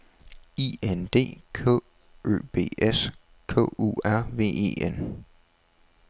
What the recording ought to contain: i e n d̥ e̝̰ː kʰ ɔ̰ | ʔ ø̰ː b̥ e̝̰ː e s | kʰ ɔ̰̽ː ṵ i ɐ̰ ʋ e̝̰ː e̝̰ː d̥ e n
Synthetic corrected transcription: i e n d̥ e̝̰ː kʰ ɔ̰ | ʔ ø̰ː b̥ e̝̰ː e s | kʰ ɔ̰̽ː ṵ æ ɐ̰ ʋ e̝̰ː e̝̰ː e n